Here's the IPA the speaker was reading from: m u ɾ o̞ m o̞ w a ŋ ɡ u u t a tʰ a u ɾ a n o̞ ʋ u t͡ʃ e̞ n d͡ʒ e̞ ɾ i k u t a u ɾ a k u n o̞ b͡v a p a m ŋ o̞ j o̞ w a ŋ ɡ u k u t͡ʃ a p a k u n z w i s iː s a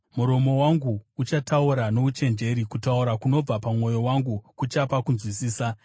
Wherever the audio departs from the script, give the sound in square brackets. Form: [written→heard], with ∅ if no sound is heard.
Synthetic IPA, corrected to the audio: m u ɾ o̞ m o̞ w a ŋ ɡ u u [t→t͡ʃ] a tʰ a u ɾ a n o̞ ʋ u t͡ʃ e̞ n d͡ʒ e̞ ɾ i k u t a u ɾ a k u n o̞ b͡v a p a m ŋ o̞ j o̞ w a ŋ ɡ u k u t͡ʃ a p a k u n z w i s iː s a